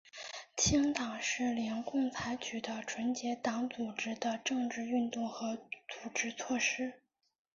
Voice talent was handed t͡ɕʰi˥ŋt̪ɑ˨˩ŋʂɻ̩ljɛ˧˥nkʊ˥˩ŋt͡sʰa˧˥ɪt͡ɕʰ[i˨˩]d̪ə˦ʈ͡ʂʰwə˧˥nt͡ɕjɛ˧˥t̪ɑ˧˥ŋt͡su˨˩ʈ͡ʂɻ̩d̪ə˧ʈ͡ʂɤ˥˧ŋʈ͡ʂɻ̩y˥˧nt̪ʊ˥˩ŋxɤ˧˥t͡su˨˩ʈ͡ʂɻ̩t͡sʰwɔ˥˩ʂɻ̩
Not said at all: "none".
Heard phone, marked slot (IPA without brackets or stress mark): y˨˩